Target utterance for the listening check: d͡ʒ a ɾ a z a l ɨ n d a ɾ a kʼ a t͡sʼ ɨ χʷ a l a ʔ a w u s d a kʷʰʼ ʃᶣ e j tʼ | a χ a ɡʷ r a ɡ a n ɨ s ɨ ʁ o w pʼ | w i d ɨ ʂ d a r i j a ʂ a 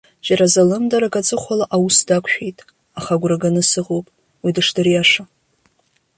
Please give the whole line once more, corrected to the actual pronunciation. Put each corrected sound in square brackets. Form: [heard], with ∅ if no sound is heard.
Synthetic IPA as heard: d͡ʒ a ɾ a z a l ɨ [m] d a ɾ a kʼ a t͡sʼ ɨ χʷ a l a ʔ a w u s d a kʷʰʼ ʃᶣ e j tʼ | a χ a ɡʷ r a ɡ a n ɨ s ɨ ʁ o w pʼ | w i d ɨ ʂ d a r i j a ʂ a